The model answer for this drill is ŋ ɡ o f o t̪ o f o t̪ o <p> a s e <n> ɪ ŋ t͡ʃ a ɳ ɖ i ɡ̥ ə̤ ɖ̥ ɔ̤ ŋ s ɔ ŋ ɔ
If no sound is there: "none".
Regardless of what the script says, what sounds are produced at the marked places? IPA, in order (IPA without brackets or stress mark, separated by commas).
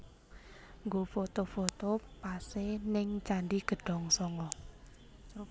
p, n